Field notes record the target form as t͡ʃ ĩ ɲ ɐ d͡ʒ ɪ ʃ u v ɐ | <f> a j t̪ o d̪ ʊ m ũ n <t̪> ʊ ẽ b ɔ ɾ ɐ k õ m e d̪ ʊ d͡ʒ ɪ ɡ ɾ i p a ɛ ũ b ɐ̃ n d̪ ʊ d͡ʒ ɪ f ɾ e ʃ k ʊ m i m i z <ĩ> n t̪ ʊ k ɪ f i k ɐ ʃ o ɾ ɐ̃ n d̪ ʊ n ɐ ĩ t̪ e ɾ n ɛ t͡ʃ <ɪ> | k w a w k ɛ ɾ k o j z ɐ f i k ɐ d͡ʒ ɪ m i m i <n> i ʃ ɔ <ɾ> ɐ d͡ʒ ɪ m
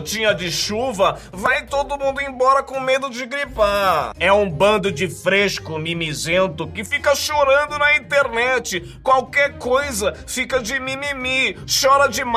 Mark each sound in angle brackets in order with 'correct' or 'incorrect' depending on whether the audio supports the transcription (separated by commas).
incorrect, incorrect, incorrect, correct, incorrect, correct